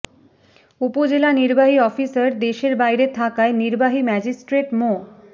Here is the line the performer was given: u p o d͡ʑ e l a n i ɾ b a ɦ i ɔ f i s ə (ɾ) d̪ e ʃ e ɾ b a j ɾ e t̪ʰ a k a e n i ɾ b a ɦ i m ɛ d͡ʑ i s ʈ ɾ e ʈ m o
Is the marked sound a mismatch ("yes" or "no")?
no